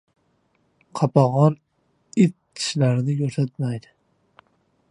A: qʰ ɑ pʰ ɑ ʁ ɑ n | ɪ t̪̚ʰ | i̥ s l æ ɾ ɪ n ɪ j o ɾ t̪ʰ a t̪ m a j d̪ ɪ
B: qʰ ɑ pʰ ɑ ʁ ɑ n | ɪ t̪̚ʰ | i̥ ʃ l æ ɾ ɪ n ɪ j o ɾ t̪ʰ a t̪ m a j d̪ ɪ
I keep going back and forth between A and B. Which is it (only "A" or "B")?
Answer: B